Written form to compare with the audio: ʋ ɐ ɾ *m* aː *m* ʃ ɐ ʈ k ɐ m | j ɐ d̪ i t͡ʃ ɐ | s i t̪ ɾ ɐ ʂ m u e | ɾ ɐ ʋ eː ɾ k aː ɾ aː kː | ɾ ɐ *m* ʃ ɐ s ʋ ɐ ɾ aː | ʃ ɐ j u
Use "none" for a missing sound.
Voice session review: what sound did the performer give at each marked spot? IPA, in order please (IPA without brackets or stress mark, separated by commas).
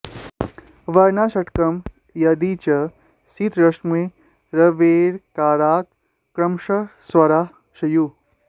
n, none, m